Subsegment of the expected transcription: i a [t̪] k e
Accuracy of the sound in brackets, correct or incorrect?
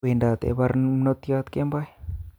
correct